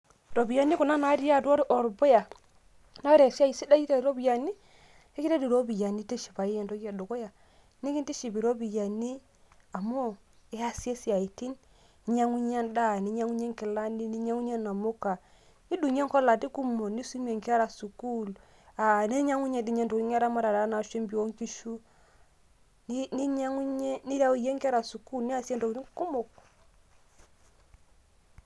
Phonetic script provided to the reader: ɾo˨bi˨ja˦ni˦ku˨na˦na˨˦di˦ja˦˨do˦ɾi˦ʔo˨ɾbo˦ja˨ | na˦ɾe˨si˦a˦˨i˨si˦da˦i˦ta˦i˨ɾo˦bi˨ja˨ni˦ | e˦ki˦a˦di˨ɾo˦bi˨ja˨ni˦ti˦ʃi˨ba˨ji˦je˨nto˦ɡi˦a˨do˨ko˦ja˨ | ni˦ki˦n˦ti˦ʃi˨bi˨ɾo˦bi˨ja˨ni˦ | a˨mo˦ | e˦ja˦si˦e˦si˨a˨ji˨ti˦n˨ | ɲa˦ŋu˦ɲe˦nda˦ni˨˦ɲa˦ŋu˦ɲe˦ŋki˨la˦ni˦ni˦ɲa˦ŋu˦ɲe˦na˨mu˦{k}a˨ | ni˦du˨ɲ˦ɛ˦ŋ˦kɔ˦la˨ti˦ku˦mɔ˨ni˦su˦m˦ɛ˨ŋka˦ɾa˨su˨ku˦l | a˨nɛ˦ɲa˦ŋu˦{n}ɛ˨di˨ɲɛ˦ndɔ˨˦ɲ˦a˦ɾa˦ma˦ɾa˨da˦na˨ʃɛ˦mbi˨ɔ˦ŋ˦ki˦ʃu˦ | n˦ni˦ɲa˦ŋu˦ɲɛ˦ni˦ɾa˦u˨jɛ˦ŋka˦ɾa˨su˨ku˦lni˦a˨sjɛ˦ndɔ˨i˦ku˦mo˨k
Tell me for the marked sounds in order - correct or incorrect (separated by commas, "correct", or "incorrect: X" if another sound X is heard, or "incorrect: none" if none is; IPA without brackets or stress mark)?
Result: correct, incorrect: ɲ